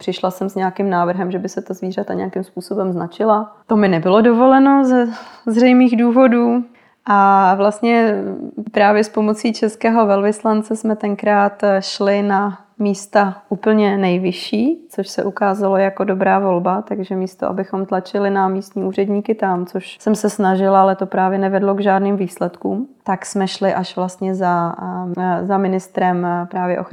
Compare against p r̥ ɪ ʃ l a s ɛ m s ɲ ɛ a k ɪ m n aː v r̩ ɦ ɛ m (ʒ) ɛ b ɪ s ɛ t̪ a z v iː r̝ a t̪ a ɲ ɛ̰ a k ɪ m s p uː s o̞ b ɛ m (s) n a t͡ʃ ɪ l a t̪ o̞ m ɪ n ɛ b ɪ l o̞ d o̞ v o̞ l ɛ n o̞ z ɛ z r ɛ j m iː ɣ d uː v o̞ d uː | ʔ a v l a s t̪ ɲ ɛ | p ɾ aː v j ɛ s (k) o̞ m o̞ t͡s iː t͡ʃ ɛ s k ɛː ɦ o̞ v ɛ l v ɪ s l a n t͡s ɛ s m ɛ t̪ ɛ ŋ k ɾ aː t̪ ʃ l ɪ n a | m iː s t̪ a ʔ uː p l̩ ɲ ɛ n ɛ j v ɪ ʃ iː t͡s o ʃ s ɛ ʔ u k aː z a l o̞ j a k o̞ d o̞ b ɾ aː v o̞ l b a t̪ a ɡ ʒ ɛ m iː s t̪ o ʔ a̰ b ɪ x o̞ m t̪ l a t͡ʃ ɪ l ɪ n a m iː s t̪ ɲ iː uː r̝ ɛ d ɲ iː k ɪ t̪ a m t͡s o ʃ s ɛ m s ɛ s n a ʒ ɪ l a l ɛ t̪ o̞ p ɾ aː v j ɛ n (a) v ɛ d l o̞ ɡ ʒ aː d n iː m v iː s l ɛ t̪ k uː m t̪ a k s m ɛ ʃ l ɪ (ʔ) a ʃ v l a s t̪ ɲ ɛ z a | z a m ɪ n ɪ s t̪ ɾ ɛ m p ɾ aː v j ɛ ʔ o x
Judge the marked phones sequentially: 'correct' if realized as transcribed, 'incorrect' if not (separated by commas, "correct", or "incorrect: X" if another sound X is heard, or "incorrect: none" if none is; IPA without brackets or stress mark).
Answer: correct, incorrect: z, incorrect: p, incorrect: ɛ, correct